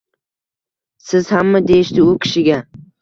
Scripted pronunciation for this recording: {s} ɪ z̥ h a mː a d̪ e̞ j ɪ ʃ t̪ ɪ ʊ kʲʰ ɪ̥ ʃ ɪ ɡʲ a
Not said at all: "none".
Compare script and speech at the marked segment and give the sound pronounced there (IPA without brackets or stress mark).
s